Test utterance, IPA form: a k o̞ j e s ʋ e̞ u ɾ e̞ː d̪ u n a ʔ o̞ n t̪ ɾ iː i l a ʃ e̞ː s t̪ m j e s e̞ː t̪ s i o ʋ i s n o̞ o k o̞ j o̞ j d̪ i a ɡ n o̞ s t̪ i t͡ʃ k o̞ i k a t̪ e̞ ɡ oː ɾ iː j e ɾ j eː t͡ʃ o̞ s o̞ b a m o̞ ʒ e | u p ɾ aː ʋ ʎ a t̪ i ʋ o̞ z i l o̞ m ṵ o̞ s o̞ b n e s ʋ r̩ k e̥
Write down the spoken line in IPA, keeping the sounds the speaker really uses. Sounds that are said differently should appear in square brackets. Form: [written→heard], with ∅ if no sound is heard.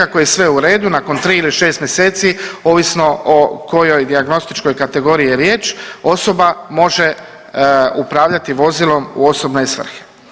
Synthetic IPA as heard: a k o̞ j e s ʋ e̞ u ɾ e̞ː d̪ u n a [ʔ→k] o̞ n t̪ ɾ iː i l [a→i] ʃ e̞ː s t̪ m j e s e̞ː t̪ s i o ʋ i s n o̞ o k o̞ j o̞ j d̪ i a ɡ n o̞ s t̪ i t͡ʃ k o̞ [i→j] k a t̪ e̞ ɡ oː ɾ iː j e ɾ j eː t͡ʃ o̞ s o̞ b a m o̞ ʒ e | u p ɾ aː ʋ ʎ a t̪ i ʋ o̞ z i l o̞ m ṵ o̞ s o̞ b n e s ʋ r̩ [k→x] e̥

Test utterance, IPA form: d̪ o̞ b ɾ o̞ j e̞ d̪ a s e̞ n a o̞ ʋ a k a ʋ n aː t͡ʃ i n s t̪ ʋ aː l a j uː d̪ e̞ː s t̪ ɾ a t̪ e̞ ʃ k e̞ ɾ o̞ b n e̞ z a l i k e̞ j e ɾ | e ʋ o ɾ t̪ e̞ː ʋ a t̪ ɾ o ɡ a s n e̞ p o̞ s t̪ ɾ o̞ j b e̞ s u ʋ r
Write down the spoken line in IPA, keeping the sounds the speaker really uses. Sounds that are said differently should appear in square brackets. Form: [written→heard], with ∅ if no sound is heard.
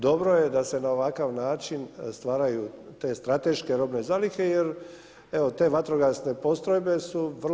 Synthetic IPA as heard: d̪ o̞ b ɾ o̞ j e̞ d̪ a s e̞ n a o̞ ʋ a k a ʋ n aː t͡ʃ i n s t̪ ʋ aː [l→ɾ] a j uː [d̪→t̪] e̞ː s t̪ ɾ a t̪ e̞ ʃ k e̞ ɾ o̞ b n e̞ z a l i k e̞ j e ɾ | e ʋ o [ɾ→∅] t̪ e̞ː ʋ a t̪ ɾ o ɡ a s n e̞ p o̞ s t̪ ɾ o̞ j b e̞ s u ʋ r

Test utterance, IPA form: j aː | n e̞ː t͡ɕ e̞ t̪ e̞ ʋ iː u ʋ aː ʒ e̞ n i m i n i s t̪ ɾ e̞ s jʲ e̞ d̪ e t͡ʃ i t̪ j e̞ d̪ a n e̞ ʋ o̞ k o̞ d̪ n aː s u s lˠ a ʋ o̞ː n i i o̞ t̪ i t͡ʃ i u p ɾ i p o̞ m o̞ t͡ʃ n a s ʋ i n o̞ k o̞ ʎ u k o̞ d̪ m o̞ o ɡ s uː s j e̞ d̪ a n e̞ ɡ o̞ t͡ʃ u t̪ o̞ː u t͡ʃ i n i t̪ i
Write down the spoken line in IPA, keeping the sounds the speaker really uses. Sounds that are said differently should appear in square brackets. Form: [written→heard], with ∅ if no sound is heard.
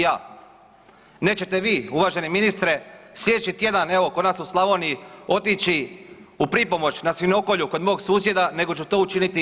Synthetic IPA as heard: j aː | n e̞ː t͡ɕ e̞ t̪ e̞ ʋ iː u ʋ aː ʒ e̞ n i m i n i s t̪ ɾ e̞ s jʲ e̞ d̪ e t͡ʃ i t̪ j e̞ d̪ a n e̞ ʋ o̞ k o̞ d̪ n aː s u s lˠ a ʋ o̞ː n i i o̞ t̪ i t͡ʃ i u p ɾ i p o̞ m o̞ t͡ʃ n a s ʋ i n o̞ k o̞ ʎ u k o̞ d̪ m o̞ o ɡ s uː s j e̞ d̪ a n e̞ ɡ o̞ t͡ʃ u t̪ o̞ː u t͡ʃ i n i t̪ i

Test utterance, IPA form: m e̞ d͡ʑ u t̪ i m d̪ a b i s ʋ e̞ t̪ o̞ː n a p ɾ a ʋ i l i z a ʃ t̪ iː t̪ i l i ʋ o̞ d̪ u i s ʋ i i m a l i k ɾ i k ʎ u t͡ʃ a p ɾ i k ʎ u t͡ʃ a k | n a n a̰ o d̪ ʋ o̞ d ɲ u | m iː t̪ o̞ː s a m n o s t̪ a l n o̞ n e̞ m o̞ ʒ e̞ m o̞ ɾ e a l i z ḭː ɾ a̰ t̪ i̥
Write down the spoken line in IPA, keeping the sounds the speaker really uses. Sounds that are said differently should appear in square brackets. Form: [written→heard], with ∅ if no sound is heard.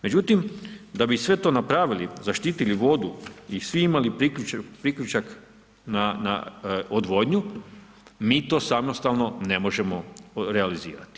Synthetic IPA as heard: m e̞ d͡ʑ u t̪ i m d̪ a b i s ʋ e̞ t̪ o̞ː n a p ɾ a ʋ i l i z a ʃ t̪ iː t̪ i l i ʋ o̞ d̪ u i s ʋ i i m a l i [k→p] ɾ i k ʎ u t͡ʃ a p ɾ i k ʎ u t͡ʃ a k | n a n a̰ o d̪ ʋ o̞ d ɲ u | m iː t̪ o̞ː s a m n o s t̪ a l n o̞ n e̞ m o̞ ʒ e̞ m o̞ ɾ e a l i z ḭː ɾ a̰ t̪ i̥

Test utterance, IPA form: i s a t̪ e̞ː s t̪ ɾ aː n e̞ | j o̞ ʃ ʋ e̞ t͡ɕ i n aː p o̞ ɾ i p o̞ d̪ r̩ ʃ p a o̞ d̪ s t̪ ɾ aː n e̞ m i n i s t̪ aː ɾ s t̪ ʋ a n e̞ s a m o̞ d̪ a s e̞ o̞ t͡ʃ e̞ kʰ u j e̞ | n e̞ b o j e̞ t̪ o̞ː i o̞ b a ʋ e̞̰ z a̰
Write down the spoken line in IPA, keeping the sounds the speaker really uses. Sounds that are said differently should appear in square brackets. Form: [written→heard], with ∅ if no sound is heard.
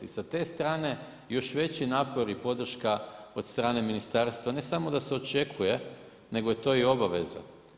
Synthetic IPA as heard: i s a t̪ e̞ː s t̪ ɾ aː n e̞ | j o̞ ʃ ʋ e̞ t͡ɕ i n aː p o̞ ɾ i p o̞ d̪ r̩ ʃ [p→k] a o̞ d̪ s t̪ ɾ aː n e̞ m i n i s t̪ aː ɾ s t̪ ʋ a n e̞ s a m o̞ d̪ a s e̞ o̞ t͡ʃ e̞ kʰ u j e̞ | n e̞ [b→ɡ] o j e̞ t̪ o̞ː i o̞ b a ʋ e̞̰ z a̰

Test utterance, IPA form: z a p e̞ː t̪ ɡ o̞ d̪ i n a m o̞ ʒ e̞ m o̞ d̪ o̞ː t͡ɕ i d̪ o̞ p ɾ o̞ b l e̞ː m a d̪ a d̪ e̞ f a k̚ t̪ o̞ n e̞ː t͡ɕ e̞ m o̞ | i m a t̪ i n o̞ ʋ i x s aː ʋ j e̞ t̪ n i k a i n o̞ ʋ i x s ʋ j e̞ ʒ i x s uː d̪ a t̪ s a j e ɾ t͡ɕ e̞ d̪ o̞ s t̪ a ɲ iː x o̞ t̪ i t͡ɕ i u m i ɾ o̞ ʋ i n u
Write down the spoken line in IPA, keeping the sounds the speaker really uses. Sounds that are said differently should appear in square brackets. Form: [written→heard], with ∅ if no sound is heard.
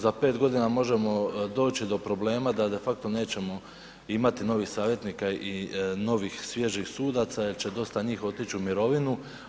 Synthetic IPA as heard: z a p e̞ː t̪ ɡ o̞ d̪ i n a m o̞ ʒ e̞ m o̞ d̪ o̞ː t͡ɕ i d̪ o̞ p ɾ o̞ b l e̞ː m a d̪ a d̪ e̞ f a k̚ t̪ o̞ n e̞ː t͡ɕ e̞ m o̞ | i m a t̪ i n o̞ ʋ i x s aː ʋ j e̞ t̪ n i k a i n o̞ ʋ i x s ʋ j e̞ ʒ i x s uː d̪ a t̪ s a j e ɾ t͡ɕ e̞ d̪ o̞ s t̪ a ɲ iː x o̞ t̪ i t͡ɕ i u m i ɾ o̞ ʋ i n u

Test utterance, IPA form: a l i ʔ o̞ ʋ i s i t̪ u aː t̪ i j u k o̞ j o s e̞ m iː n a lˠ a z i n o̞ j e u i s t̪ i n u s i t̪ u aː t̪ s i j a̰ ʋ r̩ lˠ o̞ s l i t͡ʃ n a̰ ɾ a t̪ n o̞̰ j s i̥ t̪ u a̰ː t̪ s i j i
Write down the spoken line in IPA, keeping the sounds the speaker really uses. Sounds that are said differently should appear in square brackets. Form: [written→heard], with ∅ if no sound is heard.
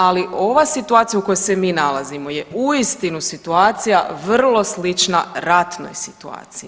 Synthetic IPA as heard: a l i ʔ o̞ ʋ [i→a] s i t̪ u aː t̪ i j u k o̞ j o s e̞ m iː n a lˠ a z i [n→m] o̞ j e u i s t̪ i n u s i t̪ u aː t̪ s i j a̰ ʋ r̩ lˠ o̞ s l i t͡ʃ n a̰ ɾ a t̪ n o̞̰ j s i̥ t̪ u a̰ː t̪ s i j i

